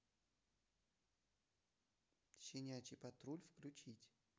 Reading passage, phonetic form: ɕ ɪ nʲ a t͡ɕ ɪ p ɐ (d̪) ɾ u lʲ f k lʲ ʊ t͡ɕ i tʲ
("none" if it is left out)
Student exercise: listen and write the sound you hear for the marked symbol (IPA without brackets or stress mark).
t̪